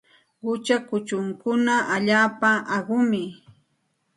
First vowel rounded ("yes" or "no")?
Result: yes